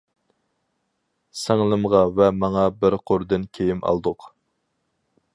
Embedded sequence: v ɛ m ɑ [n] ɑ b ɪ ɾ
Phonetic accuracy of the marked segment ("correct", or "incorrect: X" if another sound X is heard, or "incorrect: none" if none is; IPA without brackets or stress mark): incorrect: ŋ